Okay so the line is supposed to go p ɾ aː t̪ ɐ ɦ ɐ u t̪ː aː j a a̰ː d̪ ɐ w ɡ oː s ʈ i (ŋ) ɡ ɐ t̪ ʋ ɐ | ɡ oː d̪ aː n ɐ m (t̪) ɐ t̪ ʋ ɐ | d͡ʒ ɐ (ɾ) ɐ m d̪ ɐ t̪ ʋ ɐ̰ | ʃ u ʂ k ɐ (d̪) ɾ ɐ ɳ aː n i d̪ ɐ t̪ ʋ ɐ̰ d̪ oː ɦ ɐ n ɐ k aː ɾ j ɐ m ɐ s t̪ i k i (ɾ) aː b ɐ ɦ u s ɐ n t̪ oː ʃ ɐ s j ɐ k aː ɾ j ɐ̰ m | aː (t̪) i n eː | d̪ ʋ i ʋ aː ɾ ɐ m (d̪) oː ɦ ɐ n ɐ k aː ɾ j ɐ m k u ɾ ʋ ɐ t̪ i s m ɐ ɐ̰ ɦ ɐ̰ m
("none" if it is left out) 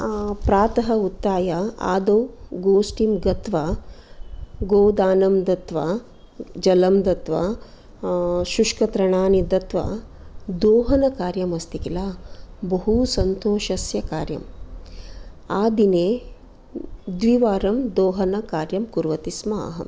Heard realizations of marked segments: m, d̪, l, t̪, l, d̪, d̪

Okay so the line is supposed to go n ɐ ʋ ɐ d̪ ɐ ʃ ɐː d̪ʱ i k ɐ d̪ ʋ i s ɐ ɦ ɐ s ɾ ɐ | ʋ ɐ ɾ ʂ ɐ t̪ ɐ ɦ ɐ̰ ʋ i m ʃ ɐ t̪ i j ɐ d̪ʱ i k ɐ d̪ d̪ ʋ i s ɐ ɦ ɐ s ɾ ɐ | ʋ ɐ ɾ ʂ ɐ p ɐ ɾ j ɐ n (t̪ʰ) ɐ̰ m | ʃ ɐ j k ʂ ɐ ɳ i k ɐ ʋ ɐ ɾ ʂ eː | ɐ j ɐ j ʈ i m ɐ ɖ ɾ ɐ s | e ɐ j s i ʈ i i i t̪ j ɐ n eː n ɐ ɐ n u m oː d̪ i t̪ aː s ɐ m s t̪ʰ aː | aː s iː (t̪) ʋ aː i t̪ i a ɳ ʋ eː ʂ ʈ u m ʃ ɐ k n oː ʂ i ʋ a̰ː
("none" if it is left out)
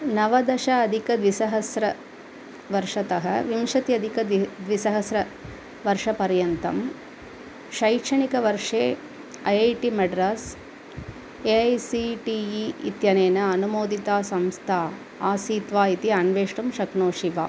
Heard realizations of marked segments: t̪, t̪

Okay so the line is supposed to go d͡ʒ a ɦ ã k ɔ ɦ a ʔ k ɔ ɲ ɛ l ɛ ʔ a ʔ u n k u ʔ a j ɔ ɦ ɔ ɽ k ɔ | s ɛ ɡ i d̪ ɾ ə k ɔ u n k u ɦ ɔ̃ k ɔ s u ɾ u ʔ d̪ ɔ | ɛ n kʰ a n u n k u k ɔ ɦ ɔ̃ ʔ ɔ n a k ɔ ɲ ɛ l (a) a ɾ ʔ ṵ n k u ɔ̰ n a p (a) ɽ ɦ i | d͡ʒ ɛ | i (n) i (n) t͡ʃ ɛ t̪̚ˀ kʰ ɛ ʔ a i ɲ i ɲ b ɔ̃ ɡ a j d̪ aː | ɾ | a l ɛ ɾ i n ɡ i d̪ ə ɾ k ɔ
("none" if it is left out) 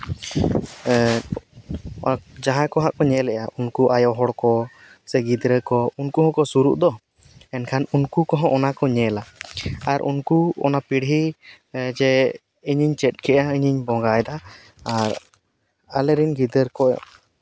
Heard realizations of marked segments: a, i, ɲ, ɲ

